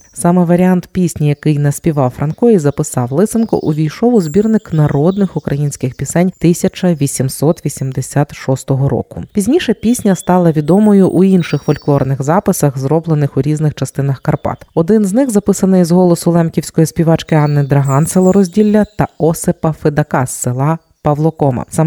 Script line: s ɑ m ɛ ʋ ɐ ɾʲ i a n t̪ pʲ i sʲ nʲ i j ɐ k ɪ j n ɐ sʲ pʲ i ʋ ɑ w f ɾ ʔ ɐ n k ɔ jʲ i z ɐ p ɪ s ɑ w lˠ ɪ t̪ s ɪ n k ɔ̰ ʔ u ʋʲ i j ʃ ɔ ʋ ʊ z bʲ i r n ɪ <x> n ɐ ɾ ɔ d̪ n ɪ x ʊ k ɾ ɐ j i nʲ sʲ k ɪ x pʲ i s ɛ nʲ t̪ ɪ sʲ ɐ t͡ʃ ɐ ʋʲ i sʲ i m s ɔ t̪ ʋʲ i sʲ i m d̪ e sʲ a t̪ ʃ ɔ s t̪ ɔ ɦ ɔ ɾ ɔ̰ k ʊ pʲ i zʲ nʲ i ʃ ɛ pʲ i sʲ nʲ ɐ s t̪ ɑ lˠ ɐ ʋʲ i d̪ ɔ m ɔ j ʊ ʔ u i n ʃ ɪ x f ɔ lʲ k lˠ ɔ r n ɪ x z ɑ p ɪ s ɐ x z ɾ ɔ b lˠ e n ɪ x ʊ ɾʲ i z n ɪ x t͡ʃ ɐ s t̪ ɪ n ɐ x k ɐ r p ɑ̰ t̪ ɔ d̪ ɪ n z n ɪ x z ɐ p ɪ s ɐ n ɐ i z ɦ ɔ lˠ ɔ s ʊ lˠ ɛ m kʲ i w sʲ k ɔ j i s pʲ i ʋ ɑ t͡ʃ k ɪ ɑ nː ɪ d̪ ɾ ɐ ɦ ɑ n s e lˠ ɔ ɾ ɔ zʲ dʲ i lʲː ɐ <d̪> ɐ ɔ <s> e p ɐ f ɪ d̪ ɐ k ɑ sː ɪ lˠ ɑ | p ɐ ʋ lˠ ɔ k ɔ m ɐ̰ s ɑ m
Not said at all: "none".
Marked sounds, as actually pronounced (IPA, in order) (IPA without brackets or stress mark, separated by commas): k, t̪, s